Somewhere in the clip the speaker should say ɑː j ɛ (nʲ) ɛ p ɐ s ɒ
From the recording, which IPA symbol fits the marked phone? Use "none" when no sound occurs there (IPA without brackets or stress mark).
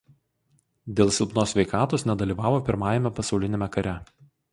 mʲ